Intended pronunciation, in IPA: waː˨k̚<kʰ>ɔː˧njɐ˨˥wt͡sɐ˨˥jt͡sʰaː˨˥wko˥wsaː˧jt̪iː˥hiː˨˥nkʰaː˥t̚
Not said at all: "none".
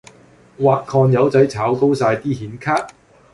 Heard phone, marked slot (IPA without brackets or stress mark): kʰ